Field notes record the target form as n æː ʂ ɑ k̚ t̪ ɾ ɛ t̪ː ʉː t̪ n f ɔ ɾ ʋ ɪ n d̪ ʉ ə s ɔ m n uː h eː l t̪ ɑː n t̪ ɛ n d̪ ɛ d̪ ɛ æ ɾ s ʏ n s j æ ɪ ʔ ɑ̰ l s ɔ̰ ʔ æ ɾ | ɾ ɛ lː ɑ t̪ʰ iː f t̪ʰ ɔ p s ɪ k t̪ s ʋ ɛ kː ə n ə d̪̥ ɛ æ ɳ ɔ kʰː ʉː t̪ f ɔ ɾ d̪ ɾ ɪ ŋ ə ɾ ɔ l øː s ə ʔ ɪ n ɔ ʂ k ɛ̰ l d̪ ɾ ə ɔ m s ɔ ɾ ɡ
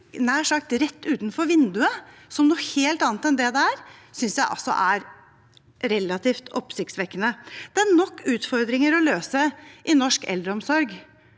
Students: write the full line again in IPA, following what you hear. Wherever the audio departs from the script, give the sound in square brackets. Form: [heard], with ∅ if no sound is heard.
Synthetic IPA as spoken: n æː ʂ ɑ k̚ t̪ ɾ ɛ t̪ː ʉː t̪ n f ɔ ɾ ʋ ɪ n d̪ ʉ ə s ɔ m n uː h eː l t̪ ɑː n t̪ ɛ n d̪ ɛ d̪ ɛ æ ɾ s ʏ n s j æ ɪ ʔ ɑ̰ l s ɔ̰ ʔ æ ɾ | ɾ ɛ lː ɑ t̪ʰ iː f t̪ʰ ɔ p s ɪ k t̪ s ʋ ɛ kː ə n ə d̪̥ ɛ æ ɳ ɔ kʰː ʉː t̪ f ɔ ɾ d̪ ɾ ɪ ŋ ə ɾ ɔ l øː s ə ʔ ɪ n ɔ ʂ k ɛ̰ l d̪ ɾ ə ɔ m s ɔ ɾ ɡ